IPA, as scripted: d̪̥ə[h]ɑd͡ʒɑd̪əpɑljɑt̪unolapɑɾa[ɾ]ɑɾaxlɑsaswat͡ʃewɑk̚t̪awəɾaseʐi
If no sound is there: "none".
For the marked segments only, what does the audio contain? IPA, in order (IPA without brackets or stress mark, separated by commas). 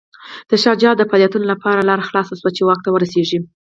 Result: ʃ, l